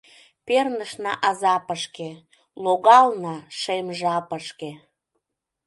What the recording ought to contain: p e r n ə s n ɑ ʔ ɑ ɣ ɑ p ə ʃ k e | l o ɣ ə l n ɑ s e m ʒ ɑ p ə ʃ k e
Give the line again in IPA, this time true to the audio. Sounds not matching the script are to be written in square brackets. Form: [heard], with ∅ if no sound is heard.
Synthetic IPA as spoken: p e r n ə [ʃ] n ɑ ʔ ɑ [z] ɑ p ə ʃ k e | l o ɣ [ɑ] l n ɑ [ʃ] e m ʒ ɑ p ə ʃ k e